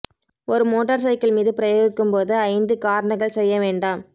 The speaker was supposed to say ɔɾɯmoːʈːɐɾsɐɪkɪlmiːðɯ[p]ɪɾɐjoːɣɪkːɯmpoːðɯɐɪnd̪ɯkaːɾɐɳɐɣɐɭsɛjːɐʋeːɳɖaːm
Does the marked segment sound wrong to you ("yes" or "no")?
no